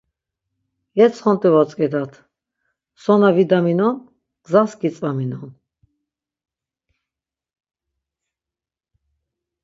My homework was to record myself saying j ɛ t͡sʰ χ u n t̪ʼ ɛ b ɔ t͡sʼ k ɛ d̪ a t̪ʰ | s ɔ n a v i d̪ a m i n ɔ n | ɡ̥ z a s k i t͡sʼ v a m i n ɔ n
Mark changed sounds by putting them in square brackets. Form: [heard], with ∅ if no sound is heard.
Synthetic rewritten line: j ɛ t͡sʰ χ [ɔ] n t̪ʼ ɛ [v] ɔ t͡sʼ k ɛ d̪ a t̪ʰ | s ɔ n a v i d̪ a m i n ɔ n | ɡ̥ z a s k i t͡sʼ v a m i n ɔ n